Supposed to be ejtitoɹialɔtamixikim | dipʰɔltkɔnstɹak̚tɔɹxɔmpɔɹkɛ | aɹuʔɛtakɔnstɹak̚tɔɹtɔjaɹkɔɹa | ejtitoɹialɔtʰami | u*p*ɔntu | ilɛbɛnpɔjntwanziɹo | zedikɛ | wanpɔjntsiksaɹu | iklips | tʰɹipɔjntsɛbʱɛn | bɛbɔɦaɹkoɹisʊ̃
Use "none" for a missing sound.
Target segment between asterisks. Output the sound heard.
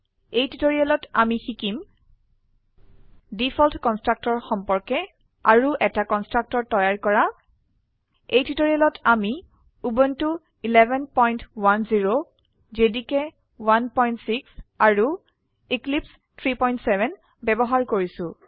b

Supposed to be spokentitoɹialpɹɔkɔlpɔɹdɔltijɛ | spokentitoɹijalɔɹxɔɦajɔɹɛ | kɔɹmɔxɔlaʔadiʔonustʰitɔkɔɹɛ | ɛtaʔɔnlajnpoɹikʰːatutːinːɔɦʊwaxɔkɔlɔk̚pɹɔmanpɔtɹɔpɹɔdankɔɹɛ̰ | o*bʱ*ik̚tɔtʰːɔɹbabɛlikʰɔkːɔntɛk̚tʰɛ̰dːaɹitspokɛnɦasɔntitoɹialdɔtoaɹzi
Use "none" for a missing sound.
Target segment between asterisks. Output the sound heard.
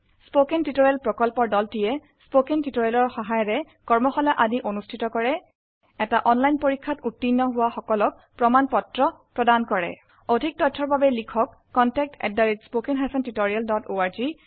dʱ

